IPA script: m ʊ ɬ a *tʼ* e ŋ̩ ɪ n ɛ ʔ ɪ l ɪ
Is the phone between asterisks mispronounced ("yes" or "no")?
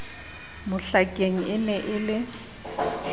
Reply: yes